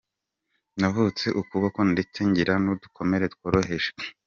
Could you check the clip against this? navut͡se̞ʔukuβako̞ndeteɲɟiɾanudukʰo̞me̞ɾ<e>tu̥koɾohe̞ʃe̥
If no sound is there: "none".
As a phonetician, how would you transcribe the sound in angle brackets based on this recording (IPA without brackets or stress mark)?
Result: e